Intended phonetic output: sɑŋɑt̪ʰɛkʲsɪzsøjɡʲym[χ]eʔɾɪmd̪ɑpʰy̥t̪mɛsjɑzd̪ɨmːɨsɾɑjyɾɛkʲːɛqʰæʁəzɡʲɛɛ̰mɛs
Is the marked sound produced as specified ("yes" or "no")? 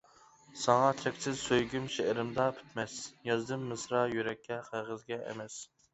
no